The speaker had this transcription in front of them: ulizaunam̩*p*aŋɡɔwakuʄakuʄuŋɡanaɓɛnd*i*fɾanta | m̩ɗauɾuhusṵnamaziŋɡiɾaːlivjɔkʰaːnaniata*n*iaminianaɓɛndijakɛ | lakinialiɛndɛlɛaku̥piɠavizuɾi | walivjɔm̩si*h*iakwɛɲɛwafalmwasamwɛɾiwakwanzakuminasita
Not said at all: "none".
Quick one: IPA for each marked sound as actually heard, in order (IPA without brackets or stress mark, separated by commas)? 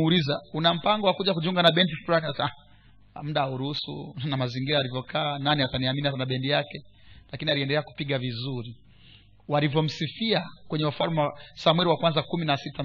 p, i, n, f